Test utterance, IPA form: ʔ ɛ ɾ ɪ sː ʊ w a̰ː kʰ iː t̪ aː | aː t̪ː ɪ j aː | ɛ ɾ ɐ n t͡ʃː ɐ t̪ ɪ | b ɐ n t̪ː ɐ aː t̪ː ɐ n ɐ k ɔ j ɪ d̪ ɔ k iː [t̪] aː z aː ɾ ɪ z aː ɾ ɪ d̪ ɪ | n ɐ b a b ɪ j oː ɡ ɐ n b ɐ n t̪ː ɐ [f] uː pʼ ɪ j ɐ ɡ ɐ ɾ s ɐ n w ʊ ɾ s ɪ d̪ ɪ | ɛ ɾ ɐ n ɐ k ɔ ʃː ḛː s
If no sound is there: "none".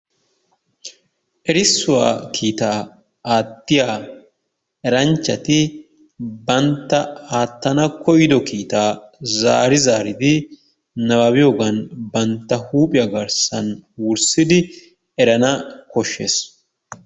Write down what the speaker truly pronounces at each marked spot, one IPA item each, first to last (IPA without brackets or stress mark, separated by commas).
t̪, h